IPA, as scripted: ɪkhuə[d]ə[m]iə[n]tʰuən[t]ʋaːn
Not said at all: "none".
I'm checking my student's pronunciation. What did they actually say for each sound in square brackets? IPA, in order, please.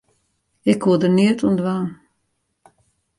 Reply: d, n, none, d

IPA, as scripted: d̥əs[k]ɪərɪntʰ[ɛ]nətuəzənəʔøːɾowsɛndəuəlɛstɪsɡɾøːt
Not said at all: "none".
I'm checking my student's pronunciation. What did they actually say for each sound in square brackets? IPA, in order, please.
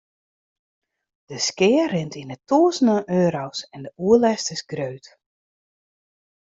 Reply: k, i

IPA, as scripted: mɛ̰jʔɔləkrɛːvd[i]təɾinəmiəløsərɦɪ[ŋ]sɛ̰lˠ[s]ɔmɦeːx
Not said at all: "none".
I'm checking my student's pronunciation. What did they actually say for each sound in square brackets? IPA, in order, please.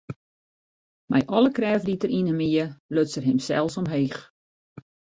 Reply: i, m, s

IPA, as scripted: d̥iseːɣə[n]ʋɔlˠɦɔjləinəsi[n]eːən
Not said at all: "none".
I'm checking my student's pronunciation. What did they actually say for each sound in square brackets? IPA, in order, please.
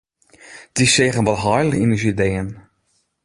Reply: n, d

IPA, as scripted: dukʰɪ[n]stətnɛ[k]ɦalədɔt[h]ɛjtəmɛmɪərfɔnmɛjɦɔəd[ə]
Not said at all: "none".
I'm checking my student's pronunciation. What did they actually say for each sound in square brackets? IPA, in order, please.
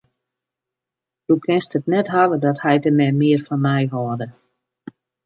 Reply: n, t, h, ə

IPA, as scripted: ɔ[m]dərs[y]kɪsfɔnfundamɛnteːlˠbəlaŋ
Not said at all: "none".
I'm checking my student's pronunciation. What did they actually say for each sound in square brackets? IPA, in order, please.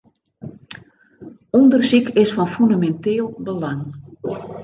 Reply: n, i

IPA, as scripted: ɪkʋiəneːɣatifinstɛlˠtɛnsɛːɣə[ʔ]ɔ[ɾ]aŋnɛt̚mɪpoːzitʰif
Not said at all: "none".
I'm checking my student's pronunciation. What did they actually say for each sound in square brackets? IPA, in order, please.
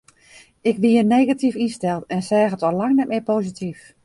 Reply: t, l

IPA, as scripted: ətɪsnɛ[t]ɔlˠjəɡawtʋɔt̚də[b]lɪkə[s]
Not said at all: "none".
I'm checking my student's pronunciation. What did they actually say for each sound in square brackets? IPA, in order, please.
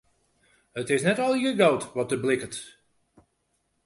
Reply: t, b, t

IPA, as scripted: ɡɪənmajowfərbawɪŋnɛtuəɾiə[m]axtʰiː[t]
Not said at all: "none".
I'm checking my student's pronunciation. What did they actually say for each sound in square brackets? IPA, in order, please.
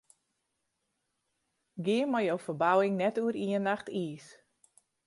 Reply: n, s

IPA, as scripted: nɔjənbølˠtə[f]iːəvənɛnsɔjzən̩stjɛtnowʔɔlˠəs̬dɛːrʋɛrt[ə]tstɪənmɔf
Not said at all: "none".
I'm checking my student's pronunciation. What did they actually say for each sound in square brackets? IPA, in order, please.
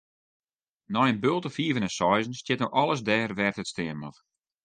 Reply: f, ə

